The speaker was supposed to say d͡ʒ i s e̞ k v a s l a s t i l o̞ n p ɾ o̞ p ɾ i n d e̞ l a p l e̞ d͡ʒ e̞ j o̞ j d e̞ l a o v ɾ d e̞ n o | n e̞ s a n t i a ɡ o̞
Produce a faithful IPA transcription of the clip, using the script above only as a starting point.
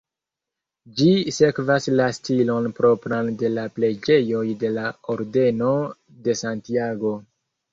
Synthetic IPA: d͡ʒ i s e̞ k v a s l a s t i l o̞ n p ɾ o̞ p ɾ a n d e̞ l a p l e̞ d͡ʒ e̞ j o̞ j d e̞ l a o ɾ d e̞ n o | d e̞ s a n t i a ɡ o̞